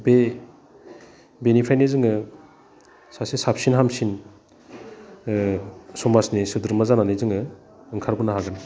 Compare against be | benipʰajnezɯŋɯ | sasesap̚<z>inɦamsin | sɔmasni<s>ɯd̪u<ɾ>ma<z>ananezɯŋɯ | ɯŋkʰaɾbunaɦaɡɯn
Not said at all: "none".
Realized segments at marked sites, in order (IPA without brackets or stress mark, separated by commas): s, s, ɾ, z